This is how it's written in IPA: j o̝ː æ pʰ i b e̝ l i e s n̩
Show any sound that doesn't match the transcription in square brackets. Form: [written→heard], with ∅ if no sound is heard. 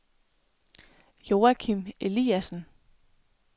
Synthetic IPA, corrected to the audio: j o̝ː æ [pʰ→kʰ] i [b→m] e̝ l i [e→æ] s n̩

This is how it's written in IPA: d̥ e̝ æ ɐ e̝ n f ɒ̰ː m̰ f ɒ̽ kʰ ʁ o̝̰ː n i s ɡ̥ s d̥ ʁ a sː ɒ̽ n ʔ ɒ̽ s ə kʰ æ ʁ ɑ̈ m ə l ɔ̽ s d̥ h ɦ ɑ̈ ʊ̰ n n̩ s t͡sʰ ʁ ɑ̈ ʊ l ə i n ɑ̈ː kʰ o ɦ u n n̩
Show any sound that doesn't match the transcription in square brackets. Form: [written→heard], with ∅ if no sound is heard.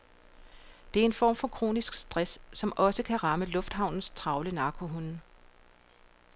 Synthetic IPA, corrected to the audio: d̥ e̝ æ ɐ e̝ n f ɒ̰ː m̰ f ɒ̽ kʰ ʁ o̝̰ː n i s ɡ̥ s d̥ ʁ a sː ɒ̽ [n→m] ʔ ɒ̽ s ə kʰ æ ʁ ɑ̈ m ə l ɔ̽ [s→f] d̥ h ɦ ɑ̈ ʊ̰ n n̩ s t͡sʰ ʁ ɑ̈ ʊ l ə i n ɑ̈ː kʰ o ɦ u n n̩

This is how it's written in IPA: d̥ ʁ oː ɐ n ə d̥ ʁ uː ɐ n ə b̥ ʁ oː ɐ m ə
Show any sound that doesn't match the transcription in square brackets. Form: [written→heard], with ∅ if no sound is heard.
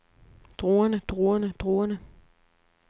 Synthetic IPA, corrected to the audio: d̥ ʁ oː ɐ n ə d̥ ʁ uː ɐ n ə [b̥→d̥] ʁ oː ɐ [m→n] ə

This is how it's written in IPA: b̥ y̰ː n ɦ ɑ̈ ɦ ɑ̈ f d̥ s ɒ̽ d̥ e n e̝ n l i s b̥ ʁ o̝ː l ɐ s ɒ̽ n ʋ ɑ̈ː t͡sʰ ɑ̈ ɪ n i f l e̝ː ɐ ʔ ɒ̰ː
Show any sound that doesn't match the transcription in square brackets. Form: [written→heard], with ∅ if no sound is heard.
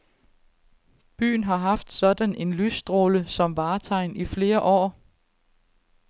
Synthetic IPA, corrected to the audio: b̥ y̰ː n ɦ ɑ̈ ɦ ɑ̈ f d̥ s ɒ̽ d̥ [e→æ] n e̝ n l [i→y] s [b̥→d̥] ʁ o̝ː l [ɐ→ə] s ɒ̽ [n→m] ʋ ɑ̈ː t͡sʰ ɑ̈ ɪ n i f l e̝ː ɐ ʔ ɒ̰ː

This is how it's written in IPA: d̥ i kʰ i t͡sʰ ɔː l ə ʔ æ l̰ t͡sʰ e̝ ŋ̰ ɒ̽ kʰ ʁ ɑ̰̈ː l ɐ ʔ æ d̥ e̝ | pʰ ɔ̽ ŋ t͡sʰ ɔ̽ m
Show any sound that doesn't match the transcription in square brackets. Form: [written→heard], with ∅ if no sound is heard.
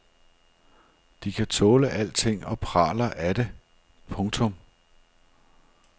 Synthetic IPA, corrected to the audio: d̥ i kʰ [i→æ] t͡sʰ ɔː l ə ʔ æ l̰ t͡sʰ e̝ ŋ̰ ɒ̽ [kʰ→pʰ] ʁ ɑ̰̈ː l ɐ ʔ æ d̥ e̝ | pʰ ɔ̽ ŋ t͡sʰ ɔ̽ m

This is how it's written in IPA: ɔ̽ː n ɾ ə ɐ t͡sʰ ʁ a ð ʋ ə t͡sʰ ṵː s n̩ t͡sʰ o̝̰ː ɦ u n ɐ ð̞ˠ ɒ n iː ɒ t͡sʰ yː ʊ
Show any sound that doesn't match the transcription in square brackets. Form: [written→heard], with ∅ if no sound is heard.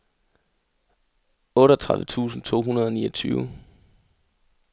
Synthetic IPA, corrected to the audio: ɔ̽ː [n→∅] ɾ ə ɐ t͡sʰ ʁ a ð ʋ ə t͡sʰ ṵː s n̩ t͡sʰ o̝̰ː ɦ u n ɐ ð̞ˠ ɒ n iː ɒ t͡sʰ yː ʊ

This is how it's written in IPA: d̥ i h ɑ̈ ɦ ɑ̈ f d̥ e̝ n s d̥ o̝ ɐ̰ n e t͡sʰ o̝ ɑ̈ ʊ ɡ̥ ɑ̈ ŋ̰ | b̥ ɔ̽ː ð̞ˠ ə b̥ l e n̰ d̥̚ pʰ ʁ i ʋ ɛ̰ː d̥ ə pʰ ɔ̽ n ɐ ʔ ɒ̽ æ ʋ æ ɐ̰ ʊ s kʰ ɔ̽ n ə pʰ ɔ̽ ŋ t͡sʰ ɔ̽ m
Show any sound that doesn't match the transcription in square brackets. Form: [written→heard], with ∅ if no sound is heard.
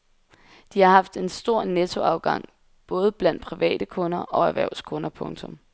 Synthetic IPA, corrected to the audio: d̥ i h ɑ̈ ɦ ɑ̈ f d̥ e̝ n s d̥ o̝ ɐ̰ n e t͡sʰ o̝ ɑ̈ ʊ ɡ̥ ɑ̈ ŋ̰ | b̥ ɔ̽ː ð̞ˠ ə b̥ l [e→æ] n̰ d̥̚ pʰ ʁ i ʋ ɛ̰ː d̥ ə [pʰ→kʰ] ɔ̽ n ɐ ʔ ɒ̽ æ ʋ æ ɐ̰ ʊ s kʰ ɔ̽ n [ə→ɐ] pʰ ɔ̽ ŋ t͡sʰ ɔ̽ m

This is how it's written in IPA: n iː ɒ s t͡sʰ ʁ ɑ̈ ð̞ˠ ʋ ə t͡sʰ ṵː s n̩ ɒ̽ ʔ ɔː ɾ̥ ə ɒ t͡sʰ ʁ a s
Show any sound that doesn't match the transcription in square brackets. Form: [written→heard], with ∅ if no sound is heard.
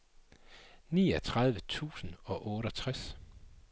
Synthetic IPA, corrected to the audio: n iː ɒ [s→∅] t͡sʰ ʁ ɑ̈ ð̞ˠ ʋ ə t͡sʰ ṵː s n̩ ɒ̽ ʔ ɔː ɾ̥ ə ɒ t͡sʰ ʁ a s

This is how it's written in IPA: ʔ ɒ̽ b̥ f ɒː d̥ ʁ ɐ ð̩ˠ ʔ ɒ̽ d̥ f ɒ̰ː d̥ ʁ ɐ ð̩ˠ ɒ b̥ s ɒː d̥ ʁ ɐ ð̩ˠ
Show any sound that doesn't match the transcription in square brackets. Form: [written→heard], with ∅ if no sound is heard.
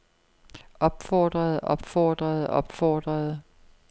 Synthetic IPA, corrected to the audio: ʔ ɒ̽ b̥ f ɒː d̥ ʁ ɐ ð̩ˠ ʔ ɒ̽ [d̥→b̥] f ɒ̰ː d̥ ʁ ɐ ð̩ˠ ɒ b̥ [s→f] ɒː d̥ ʁ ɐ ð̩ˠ

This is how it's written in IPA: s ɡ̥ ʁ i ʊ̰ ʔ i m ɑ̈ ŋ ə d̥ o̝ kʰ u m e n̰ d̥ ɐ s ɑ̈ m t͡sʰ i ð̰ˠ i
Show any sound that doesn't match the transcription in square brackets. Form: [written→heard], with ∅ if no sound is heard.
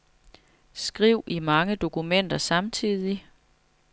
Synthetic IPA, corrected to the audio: s ɡ̥ ʁ i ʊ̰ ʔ i m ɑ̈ ŋ ə d̥ o̝ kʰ u m e n̰ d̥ ɐ s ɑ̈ m t͡sʰ i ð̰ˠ i

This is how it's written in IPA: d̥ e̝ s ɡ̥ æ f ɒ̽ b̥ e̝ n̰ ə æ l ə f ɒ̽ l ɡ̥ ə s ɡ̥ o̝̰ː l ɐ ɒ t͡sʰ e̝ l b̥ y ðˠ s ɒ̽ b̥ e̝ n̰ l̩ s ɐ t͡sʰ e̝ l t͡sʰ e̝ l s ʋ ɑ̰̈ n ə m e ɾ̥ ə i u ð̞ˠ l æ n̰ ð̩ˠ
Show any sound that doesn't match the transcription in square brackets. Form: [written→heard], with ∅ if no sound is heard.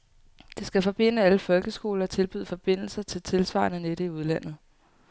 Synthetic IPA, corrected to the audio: d̥ e̝ s ɡ̥ æ f ɒ̽ b̥ e̝ n̰ ə æ l ə f ɒ̽ l ɡ̥ ə s ɡ̥ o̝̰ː l ɐ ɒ t͡sʰ e̝ l b̥ y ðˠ [s→f] ɒ̽ b̥ e̝ n̰ l̩ s ɐ t͡sʰ e̝ l t͡sʰ e̝ l s ʋ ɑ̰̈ n ə [m→n] e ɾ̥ ə i u ð̞ˠ l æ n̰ ð̩ˠ

